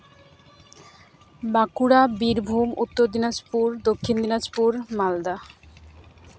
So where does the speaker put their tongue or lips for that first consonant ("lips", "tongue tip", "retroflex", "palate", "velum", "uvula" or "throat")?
lips